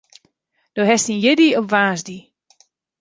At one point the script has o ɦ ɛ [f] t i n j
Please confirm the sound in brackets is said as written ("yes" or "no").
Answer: no